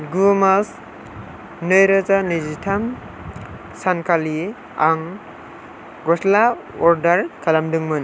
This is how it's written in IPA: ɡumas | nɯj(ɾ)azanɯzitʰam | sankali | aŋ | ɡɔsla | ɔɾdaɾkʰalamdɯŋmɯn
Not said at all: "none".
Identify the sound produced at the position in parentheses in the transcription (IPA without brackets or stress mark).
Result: ɾ